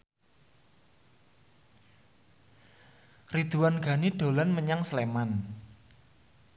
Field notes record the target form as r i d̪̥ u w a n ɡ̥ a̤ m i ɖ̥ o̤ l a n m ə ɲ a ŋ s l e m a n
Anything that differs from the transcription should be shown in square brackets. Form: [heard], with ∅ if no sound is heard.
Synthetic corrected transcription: r i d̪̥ u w a n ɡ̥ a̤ [n] i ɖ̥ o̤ l a n m ə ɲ a ŋ s l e m a n